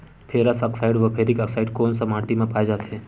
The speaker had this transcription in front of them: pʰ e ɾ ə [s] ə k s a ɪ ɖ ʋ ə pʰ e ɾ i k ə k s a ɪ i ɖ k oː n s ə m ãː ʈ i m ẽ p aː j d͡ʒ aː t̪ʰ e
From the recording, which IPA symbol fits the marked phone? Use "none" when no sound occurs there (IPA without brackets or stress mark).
s